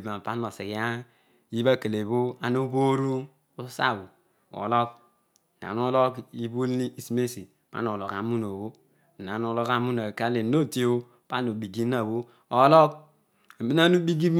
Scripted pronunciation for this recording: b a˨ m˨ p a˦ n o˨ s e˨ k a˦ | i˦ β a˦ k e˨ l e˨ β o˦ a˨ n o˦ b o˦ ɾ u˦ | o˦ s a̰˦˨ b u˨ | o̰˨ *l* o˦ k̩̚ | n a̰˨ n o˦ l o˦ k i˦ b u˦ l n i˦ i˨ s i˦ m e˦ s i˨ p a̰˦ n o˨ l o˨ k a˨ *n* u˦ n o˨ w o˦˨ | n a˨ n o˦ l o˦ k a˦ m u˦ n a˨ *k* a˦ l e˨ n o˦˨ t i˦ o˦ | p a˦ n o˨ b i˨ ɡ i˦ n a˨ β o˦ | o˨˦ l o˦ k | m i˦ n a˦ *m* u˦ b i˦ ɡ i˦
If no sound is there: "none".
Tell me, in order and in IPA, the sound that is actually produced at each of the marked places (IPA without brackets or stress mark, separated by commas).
l, m, k, n